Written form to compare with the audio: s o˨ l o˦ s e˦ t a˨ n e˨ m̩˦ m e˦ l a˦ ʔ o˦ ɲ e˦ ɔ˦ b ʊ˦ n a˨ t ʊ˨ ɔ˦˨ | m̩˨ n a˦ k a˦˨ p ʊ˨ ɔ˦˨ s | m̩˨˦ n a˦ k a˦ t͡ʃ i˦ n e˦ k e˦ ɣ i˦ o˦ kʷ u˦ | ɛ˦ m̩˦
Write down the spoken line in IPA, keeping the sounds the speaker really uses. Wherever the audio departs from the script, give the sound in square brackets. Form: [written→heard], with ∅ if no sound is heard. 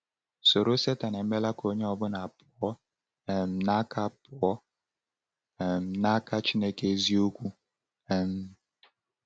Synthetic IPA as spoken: s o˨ [l→ɾ] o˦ s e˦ t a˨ n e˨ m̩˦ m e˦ l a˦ [ʔ→k] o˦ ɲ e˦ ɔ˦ b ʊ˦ n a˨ [t→p] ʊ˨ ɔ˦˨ | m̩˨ n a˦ k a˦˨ p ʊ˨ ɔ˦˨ [s→∅] | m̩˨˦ n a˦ k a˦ t͡ʃ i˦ n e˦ k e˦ [ɣ→z] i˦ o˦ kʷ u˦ | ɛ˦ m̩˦